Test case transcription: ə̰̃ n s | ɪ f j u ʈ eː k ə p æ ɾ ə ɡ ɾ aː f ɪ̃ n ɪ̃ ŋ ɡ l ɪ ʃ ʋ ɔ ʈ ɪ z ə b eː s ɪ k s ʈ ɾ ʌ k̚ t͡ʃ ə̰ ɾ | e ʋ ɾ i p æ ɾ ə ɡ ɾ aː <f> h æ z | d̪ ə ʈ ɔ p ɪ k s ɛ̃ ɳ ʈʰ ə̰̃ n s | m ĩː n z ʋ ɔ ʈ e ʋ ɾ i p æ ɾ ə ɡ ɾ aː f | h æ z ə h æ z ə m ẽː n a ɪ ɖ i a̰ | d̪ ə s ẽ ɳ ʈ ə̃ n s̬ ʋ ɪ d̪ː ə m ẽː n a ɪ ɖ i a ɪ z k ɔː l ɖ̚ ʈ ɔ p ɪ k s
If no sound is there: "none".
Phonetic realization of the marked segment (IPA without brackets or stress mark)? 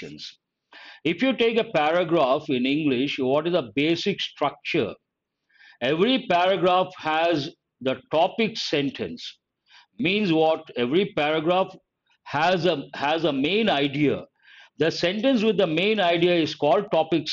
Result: f